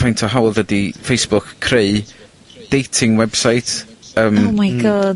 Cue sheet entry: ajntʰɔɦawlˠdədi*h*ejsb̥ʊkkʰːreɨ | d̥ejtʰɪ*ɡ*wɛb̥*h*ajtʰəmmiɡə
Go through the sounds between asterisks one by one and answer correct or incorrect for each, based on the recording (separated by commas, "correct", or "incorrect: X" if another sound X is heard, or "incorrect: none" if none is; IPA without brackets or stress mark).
incorrect: f, incorrect: ŋ, incorrect: s